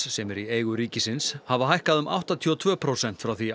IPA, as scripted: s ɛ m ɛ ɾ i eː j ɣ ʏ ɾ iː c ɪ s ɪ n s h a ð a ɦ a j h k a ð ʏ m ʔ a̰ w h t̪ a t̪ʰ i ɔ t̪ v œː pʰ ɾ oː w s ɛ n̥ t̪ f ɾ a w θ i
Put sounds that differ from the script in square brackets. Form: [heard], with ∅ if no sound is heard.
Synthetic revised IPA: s ɛ m ɛ ɾ i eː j ɣ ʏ ɾ iː c ɪ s ɪ n s h a [v] a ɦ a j h k a ð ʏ m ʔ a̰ w h t̪ a t̪ʰ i ɔ [t̪ʰ] v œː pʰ ɾ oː w s ɛ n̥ t̪ f ɾ a w θ i